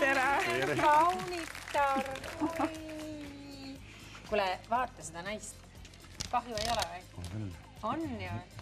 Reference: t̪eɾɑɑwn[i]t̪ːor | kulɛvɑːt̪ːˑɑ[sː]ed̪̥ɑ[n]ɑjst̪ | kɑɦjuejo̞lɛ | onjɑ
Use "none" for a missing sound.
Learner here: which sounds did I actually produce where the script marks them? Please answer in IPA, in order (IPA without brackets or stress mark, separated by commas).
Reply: i, s, n